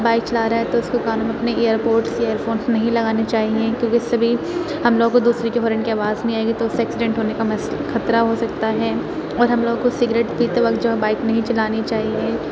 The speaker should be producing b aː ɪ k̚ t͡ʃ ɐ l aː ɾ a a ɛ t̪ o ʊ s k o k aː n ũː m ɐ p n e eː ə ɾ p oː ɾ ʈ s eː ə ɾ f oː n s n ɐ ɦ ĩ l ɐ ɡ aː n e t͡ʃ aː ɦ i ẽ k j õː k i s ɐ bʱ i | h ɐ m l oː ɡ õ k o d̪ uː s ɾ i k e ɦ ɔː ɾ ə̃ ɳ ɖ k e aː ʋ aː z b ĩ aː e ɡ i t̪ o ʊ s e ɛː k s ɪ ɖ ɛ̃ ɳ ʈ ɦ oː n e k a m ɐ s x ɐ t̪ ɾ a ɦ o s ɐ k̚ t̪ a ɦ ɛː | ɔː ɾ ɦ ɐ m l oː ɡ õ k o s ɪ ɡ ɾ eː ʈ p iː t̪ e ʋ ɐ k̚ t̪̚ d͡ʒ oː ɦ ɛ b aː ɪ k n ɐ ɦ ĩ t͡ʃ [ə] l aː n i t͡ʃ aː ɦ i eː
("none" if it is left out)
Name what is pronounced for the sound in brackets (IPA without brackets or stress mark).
ɐ